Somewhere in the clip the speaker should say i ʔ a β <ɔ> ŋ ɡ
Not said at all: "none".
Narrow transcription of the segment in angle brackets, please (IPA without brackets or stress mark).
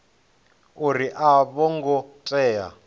ɔ